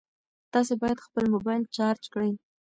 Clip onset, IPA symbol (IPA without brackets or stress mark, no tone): t̪